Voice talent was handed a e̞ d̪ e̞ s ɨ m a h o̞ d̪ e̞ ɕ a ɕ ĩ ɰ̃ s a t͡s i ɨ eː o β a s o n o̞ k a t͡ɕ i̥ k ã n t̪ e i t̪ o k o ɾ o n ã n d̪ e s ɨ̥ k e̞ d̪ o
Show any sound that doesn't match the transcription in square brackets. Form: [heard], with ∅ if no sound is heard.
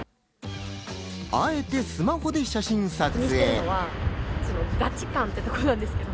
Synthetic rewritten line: a e̞ [t̪] e̞ s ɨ m a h o̞ d̪ e̞ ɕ a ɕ ĩ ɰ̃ s a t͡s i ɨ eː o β a s o n o̞ [ɡ] a t͡ɕ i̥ k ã n t̪ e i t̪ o k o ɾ o n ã n d̪ e s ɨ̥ k e̞ d̪ o

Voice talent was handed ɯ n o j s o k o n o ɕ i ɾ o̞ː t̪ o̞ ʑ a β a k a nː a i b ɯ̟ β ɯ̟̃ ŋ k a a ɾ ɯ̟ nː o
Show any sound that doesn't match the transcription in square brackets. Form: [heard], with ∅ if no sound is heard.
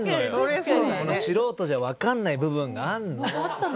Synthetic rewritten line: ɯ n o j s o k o n o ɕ i ɾ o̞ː t̪ o̞ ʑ a β a k a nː a i b ɯ̟ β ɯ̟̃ ŋ [ɡ] a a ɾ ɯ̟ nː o

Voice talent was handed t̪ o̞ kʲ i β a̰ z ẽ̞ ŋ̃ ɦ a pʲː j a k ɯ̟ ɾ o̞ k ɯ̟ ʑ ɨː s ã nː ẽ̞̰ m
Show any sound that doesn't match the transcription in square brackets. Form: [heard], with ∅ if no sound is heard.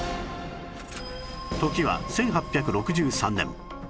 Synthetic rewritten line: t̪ o̞ kʲ i β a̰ [s] ẽ̞ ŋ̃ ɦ a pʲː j a k ɯ̟ ɾ o̞ k ɯ̟ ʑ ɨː s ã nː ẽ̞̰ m

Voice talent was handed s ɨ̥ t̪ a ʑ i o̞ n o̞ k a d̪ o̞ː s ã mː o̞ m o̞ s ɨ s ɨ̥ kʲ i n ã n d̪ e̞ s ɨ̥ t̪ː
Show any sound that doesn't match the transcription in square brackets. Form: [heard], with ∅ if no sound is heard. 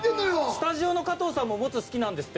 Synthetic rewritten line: s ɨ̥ t̪ a ʑ i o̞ n o̞ k a [t̪] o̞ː s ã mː o̞ m o̞ [t͡s] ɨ s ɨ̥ kʲ i n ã n d̪ e̞ s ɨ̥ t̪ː

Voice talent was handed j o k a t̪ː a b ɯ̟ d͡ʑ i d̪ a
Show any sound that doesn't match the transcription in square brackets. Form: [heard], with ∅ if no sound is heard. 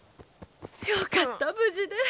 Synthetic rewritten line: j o k a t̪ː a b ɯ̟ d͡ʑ i d̪ [e]

